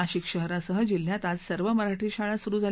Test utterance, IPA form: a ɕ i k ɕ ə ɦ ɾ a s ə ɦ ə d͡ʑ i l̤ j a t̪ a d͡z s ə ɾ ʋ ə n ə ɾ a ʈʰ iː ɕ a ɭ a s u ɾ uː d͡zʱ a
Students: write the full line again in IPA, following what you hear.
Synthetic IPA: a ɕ i k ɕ ə ɦ ɾ a s ə ɦ ə d͡ʑ i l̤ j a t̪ a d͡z s ə ɾ ʋ ə m ə ɾ a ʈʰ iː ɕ a ɭ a s u ɾ uː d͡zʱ a

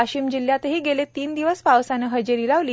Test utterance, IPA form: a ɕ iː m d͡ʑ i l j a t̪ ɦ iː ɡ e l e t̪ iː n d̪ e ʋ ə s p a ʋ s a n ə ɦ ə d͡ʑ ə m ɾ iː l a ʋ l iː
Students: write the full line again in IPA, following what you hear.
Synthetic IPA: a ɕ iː m d͡ʑ i l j a t̪ ɦ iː ɡ e l e t̪ iː n d̪ i ʋ ə s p a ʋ s a n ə ɦ ə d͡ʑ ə ɾ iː l a ʋ l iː

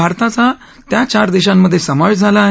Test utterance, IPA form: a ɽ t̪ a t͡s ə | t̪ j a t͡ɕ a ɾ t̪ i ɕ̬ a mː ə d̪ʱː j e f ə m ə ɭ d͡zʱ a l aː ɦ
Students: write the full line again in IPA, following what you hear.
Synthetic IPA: a ɾ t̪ a t͡s a | t̪ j a t͡ɕ a ɾ d̪ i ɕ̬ a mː ə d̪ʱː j e s ə m ə ɭ d͡zʱ a l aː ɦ

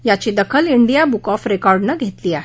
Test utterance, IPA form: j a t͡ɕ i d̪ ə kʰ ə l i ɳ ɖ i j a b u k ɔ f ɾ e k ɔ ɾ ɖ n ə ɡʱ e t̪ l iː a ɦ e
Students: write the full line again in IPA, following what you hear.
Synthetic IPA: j a t͡ɕ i d̪ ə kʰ ə l i ɳ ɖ i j a b u k ɔ f ɾ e k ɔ ɾ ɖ n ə ɡʱ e t̪ l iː a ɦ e

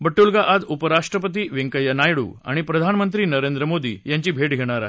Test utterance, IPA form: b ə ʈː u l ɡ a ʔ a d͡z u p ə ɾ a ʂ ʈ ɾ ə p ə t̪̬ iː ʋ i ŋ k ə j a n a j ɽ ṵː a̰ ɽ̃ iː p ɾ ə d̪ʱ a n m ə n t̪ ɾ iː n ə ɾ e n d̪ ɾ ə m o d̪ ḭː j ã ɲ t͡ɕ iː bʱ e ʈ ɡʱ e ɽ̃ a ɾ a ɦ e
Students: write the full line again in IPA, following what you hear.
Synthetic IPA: b ə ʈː u l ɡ a ʔ a d͡z u p ə ɾ a ʂ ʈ ɾ ə p ə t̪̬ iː ʋ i ŋ k ə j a n a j ɽ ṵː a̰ ɽ̃ i p ɾ ə d̪ʱ a n m ə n t̪ ɾ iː n ə ɾ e n d̪ ɾ ə m o d̪ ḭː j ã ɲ t͡ɕ iː bʱ e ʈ ɡʱ e ɽ̃ a ɾ a ɦ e

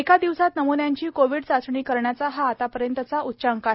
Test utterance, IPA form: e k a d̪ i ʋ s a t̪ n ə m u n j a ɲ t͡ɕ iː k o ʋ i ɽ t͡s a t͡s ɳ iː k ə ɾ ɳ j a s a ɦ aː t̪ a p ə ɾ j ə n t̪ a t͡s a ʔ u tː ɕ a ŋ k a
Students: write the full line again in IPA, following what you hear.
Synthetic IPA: e k a d̪ i ʋ s a t̪ n ə m u n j a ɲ t͡ɕ iː k o ʋ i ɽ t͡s a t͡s ɳ iː k ə ɾ ɳ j a t͡s a ɦ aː t̪ a p ə ɾ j ə n t̪ ə t͡s a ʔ u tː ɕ a ŋ k a

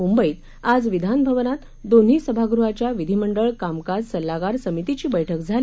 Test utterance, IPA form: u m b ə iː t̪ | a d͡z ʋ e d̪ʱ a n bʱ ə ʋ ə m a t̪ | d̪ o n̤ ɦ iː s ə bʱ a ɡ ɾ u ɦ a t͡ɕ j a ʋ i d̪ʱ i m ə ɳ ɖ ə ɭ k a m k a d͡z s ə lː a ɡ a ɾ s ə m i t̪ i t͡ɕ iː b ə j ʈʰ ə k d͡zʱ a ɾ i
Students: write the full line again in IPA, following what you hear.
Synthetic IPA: u m b ə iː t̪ | a d͡z ʋ i d̪ʱ a n bʱ ə ʋ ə n a t̪ | d̪ o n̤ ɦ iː s ə bʱ a ɡ ɾ u ɦ a t͡ɕ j a ʋ i d̪ʱ i m ə ɳ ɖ ə ɭ k a m k a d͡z s ə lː a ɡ a ɾ s ə m i t̪ i t͡ɕ iː b ə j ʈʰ ə k d͡zʱ a l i

